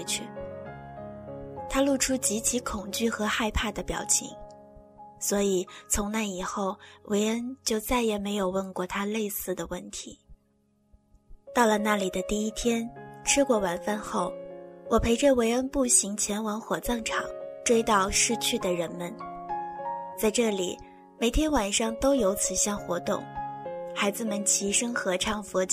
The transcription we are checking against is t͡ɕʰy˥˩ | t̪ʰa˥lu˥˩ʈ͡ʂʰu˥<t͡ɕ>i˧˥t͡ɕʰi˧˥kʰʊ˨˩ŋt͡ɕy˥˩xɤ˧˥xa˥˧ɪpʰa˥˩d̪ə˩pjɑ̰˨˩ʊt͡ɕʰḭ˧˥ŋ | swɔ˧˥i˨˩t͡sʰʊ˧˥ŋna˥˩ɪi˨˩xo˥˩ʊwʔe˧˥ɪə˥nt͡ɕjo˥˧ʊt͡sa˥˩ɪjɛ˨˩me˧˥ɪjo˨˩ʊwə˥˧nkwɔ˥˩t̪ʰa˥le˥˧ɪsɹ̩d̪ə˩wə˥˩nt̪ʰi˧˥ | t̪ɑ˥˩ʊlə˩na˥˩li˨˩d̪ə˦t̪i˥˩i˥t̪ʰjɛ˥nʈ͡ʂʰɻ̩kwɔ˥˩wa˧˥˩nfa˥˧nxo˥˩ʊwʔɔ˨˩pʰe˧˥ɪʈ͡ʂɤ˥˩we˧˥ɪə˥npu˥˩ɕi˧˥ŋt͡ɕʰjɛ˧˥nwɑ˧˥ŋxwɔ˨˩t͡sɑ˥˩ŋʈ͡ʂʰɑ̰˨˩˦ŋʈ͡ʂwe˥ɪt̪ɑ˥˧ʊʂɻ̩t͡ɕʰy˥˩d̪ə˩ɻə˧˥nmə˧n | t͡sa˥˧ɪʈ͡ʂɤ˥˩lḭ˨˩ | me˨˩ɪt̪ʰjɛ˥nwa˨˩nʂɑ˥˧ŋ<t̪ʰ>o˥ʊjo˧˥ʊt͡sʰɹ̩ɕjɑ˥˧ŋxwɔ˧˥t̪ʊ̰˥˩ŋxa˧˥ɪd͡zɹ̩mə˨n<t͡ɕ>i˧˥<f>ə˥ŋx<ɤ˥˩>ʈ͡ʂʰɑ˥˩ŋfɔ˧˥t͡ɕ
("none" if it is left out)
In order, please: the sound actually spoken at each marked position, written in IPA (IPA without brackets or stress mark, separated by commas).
t͡ɕ, t̪, t͡ɕʰ, ʂ, ɤ˧˥